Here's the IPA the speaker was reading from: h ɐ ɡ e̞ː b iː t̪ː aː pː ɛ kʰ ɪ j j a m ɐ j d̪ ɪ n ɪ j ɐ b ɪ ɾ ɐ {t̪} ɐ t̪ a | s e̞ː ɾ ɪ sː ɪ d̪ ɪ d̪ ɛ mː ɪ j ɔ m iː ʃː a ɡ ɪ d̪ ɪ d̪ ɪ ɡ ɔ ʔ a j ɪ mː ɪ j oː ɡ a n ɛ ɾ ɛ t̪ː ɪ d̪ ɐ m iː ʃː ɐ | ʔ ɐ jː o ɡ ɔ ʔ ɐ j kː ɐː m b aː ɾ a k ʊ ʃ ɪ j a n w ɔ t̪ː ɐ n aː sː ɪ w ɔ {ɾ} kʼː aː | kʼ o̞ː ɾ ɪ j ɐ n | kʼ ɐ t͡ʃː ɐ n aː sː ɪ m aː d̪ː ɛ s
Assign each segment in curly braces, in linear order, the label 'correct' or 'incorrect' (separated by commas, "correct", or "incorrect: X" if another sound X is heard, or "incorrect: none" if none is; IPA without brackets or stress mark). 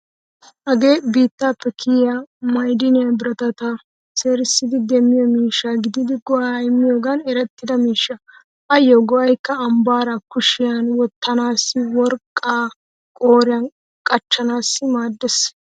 correct, correct